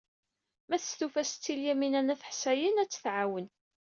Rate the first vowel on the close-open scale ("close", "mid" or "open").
open